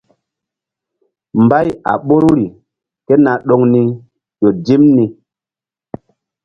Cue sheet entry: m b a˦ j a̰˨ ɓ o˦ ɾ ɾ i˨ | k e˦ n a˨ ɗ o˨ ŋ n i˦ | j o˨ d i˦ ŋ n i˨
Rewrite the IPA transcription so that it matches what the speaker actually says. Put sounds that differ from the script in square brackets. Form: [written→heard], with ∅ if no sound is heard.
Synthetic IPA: m b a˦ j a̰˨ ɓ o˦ ɾ ɾ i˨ | k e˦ n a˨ ɗ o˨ ŋ n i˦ | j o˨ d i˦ [ŋ→m] n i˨